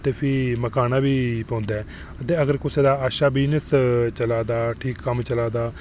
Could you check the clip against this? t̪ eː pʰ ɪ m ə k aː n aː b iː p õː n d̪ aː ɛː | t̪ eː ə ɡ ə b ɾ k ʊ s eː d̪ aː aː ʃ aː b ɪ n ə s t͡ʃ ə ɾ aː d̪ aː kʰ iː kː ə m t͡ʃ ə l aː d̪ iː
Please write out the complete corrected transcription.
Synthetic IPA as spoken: t̪ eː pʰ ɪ m ə k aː n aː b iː p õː n d̪ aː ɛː | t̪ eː ə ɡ ə ɾ k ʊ s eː d̪ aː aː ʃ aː b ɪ n ə s t͡ʃ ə l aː d̪ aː ʈʰ iː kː ə m t͡ʃ ə l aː d̪ aː